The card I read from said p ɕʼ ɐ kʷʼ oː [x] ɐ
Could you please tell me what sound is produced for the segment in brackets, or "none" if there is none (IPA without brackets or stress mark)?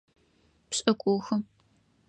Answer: x